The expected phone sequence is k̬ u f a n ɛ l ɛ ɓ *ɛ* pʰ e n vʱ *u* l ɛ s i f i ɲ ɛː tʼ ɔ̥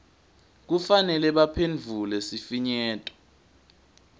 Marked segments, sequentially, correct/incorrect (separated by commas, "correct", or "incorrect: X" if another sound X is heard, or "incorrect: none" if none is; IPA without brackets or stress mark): incorrect: a, correct